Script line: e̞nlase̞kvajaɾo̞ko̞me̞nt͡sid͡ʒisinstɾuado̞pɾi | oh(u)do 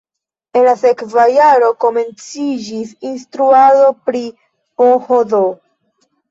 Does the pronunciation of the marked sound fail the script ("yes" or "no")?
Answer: yes